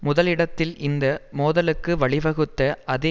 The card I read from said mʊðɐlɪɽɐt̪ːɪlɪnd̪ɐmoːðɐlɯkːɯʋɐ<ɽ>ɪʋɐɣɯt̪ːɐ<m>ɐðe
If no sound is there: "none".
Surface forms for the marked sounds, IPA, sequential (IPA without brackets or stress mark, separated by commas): ɭ, none